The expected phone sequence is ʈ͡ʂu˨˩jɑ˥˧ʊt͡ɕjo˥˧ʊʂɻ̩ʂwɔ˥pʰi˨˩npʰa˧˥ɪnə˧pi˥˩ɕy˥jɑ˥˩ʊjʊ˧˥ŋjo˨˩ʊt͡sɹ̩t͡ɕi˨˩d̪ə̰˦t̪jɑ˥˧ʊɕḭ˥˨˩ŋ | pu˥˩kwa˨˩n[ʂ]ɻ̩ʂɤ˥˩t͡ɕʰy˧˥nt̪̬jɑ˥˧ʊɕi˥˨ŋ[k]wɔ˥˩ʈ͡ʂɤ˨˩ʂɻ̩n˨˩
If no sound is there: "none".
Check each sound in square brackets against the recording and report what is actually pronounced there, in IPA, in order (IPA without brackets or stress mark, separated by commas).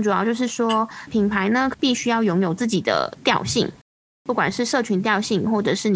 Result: ʂ, x